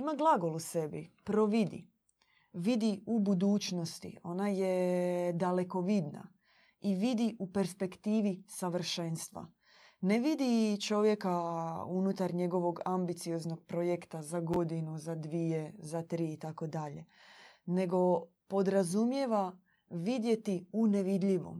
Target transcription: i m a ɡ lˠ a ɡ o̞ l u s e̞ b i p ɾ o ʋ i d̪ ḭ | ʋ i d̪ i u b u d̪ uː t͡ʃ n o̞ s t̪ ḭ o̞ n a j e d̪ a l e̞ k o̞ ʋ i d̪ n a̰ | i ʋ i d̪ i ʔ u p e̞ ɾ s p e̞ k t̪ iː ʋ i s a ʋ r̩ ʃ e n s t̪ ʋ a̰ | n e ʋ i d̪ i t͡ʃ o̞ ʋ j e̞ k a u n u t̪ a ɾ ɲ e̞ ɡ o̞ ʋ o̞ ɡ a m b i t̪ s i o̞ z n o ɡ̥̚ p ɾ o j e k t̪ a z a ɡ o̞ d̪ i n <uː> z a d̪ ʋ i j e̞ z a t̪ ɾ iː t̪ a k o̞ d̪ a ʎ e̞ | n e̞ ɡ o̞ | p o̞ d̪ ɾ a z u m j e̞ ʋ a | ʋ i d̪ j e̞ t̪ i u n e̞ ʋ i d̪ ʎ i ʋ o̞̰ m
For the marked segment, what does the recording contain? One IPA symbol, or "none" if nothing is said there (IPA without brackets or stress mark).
u